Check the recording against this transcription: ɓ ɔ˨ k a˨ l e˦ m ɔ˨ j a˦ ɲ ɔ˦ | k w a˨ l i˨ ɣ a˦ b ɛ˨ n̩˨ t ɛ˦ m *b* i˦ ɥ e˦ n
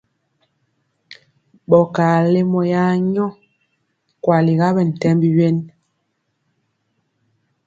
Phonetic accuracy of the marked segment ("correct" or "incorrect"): correct